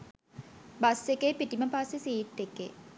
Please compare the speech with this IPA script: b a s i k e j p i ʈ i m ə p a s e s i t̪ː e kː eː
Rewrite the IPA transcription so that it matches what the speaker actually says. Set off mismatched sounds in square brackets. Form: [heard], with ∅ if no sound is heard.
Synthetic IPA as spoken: b a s [e] k e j p i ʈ i m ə p a s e s [iː] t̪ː e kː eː